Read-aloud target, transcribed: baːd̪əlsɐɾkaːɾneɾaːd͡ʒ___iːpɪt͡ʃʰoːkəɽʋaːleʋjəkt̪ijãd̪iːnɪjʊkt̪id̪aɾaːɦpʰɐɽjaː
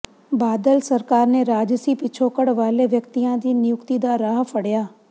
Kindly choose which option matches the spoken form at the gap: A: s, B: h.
A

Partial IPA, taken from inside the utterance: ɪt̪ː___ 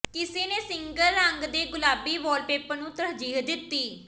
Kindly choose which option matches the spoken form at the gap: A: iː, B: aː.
A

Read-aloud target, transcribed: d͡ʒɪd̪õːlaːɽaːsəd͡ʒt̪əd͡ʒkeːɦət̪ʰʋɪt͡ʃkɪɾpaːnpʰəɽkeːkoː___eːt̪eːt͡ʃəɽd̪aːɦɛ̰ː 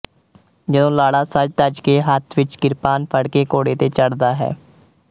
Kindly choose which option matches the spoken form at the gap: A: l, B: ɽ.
B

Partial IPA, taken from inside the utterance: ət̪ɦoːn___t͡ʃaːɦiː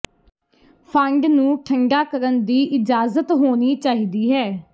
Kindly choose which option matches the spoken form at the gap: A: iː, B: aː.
A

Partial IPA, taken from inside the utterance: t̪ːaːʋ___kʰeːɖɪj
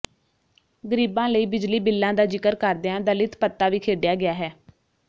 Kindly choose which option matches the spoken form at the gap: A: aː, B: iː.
B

